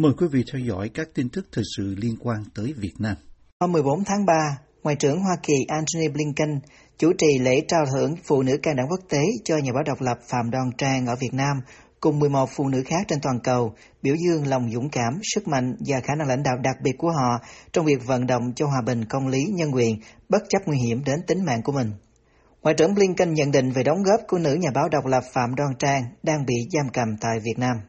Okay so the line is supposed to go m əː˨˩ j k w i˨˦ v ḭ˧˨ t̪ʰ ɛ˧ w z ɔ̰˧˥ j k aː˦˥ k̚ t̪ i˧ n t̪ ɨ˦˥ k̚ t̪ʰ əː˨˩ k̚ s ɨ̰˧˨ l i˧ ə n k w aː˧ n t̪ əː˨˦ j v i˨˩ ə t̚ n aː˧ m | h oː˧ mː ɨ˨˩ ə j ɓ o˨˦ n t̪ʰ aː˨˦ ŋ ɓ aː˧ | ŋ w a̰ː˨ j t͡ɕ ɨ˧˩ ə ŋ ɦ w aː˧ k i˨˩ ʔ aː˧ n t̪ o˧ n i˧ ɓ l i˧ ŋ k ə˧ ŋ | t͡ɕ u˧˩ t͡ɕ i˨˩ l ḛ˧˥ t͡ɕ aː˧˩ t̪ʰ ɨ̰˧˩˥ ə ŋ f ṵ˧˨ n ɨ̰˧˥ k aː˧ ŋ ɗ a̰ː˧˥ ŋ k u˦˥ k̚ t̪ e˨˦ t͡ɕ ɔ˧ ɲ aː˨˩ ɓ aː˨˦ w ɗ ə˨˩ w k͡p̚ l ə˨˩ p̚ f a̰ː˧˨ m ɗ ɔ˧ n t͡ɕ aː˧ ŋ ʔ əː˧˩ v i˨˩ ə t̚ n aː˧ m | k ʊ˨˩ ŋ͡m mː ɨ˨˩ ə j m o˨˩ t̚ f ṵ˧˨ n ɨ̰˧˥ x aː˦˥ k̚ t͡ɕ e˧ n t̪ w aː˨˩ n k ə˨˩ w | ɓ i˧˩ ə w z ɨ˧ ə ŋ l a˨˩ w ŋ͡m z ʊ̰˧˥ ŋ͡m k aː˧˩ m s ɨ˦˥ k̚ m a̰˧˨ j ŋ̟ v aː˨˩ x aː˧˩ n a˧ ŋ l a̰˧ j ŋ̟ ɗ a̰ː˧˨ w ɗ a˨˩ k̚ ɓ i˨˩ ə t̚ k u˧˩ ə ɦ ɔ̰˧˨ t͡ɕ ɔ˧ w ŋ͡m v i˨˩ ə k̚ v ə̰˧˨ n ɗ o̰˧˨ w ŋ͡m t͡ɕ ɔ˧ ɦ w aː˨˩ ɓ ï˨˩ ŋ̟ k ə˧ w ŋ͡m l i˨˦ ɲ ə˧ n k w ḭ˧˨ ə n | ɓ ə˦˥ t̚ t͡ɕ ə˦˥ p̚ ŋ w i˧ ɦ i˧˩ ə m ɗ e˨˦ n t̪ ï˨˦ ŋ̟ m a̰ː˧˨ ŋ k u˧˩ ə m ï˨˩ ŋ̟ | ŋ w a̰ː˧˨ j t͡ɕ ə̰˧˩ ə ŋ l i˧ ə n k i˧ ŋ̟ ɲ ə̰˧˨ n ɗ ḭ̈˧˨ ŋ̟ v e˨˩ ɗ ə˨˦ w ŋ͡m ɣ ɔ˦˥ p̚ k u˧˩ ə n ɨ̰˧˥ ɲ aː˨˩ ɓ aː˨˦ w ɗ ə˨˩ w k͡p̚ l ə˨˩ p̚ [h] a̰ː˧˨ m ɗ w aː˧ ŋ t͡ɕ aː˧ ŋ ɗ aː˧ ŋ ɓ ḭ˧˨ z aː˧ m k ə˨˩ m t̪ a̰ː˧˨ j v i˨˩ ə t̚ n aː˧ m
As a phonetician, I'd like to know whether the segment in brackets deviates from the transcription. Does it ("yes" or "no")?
yes